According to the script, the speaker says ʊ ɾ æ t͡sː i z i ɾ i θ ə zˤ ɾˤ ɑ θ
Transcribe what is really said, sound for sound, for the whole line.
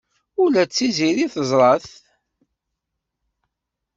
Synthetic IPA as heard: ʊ l æ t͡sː i z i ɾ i θ ə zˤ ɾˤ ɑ θ